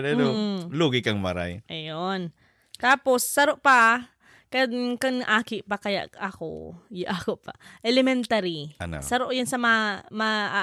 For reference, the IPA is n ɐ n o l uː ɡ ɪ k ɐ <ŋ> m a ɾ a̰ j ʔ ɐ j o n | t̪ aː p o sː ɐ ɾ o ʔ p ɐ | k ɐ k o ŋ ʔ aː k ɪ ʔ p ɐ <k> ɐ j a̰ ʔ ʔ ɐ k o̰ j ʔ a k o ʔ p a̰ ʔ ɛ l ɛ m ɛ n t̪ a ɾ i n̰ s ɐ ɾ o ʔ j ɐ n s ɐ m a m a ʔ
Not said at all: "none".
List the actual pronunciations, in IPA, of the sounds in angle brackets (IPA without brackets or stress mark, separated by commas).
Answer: ŋ, k